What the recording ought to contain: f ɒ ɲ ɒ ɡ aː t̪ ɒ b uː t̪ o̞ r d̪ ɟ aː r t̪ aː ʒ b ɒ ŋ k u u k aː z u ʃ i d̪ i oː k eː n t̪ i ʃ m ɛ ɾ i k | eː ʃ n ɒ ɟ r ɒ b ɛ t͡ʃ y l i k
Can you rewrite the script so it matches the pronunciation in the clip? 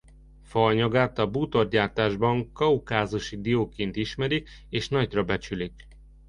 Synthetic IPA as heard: f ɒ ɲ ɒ ɡ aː t̪ ɒ b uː t̪ o̞ r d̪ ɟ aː r t̪ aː ʒ b ɒ ŋ k ɒ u k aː z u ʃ i d̪ i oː k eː n t̪ i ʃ m ɛ ɾ i k | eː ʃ n ɒ ɟ r ɒ b ɛ t͡ʃ y l i k